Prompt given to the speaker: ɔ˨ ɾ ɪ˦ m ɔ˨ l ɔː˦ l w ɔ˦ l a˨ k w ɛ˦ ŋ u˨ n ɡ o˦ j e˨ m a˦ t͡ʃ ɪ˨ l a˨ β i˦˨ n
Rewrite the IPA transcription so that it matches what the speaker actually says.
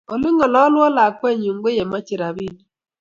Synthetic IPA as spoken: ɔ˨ l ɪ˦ ŋ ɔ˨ l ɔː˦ l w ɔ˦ l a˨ k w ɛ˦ ɲ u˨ ŋ ɡ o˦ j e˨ m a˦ t͡ʃ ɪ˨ ɾ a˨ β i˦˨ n

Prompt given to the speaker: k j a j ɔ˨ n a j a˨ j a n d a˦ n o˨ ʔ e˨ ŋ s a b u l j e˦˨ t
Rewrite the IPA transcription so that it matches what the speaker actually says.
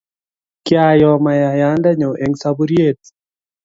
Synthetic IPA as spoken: k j a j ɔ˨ m a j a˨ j a n d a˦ ɲ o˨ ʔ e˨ ŋ s a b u ɾ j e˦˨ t

